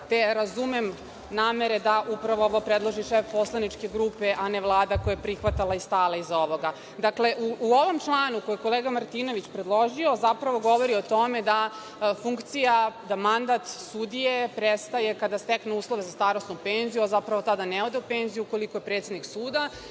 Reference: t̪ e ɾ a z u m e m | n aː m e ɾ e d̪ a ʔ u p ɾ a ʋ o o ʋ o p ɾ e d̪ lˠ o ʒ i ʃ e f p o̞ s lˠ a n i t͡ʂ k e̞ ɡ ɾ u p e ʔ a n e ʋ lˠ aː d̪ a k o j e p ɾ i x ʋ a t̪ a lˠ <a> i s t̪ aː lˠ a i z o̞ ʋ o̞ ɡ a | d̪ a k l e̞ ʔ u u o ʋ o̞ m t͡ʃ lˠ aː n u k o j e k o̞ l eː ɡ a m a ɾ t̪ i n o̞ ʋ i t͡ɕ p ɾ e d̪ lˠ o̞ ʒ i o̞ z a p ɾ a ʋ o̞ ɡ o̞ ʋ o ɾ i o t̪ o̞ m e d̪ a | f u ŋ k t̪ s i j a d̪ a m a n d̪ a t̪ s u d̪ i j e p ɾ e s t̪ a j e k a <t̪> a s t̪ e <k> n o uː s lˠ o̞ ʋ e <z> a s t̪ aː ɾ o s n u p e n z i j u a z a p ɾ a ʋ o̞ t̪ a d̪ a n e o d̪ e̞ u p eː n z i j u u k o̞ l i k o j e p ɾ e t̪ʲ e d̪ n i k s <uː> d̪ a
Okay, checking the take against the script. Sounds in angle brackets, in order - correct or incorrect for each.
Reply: correct, incorrect, correct, correct, correct

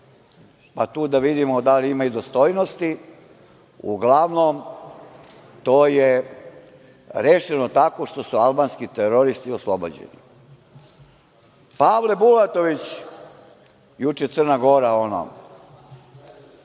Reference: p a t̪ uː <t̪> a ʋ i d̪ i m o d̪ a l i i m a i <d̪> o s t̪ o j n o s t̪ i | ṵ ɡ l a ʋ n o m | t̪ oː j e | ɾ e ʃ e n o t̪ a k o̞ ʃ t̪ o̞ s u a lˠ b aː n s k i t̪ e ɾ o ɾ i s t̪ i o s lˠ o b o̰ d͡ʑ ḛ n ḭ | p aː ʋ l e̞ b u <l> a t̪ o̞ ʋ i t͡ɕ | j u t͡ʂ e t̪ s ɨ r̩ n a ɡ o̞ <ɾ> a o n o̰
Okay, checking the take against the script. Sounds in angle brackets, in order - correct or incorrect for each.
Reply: incorrect, correct, correct, correct

